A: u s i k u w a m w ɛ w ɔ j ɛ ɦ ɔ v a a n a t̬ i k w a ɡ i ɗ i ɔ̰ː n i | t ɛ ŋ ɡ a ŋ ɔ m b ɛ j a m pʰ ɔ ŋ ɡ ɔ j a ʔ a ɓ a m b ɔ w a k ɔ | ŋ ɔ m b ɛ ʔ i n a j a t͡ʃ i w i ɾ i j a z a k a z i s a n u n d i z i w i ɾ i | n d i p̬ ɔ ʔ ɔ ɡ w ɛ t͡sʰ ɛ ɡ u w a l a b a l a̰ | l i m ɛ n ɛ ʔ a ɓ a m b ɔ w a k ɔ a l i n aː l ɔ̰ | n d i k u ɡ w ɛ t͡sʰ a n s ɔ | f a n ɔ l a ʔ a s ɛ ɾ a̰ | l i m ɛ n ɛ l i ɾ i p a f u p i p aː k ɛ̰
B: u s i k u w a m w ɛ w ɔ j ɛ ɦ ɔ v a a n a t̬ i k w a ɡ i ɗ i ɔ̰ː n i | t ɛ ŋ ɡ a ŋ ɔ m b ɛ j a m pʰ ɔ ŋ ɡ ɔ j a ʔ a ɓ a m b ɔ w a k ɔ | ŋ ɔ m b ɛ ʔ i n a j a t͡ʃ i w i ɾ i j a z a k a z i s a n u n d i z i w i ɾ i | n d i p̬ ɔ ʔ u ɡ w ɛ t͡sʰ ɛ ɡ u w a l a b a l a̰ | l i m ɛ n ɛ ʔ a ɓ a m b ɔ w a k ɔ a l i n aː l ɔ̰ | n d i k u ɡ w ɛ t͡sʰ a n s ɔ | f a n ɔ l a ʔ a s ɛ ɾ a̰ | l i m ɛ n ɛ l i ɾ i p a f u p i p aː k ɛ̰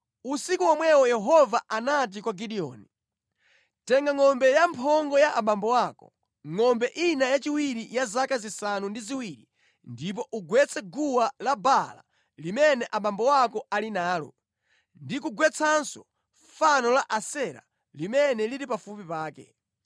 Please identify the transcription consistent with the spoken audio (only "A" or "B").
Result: B